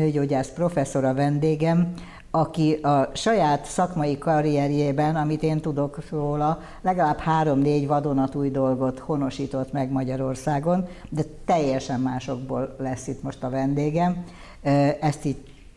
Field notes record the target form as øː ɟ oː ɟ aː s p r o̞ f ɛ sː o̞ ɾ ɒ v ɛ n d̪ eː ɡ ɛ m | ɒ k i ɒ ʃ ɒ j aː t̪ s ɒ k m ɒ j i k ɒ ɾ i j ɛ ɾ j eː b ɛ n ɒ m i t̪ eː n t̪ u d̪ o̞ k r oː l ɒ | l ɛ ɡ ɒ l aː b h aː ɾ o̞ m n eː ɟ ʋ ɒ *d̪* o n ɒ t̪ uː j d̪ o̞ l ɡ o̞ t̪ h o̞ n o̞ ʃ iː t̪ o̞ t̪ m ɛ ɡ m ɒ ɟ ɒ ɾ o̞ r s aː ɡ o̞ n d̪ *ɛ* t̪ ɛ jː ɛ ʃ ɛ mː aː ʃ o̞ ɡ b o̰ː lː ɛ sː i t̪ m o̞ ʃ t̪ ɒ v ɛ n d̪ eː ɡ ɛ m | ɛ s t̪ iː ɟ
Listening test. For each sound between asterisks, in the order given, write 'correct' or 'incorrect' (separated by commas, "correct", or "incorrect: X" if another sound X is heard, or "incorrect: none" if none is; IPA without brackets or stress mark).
correct, correct